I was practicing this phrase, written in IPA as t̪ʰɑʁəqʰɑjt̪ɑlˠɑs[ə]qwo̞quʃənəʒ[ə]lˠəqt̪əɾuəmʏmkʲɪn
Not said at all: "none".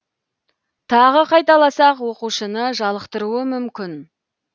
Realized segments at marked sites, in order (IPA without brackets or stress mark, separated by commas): ɑ, ɑ